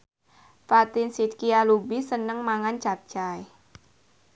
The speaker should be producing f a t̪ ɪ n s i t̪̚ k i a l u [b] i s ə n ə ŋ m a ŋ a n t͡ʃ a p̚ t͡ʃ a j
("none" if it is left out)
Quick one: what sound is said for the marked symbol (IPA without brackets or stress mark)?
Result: b